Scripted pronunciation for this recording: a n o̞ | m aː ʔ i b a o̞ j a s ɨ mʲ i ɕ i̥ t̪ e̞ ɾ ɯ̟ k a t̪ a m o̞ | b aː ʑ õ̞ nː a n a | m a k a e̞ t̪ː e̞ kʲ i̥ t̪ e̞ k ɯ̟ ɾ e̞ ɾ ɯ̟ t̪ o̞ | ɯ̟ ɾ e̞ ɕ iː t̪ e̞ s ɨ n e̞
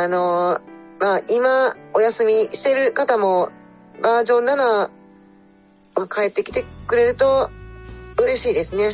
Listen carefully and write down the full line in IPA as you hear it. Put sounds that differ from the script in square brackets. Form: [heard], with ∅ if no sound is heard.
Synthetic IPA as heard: a n o̞ | m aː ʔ i [m] a o̞ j a s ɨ mʲ i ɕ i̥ t̪ e̞ ɾ ɯ̟ k a t̪ a m o̞ | b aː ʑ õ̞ nː a n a | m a k a e̞ t̪ː e̞ kʲ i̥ t̪ e̞ k ɯ̟ ɾ e̞ ɾ ɯ̟ t̪ o̞ | ɯ̟ ɾ e̞ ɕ iː [d̪] e̞ s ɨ n e̞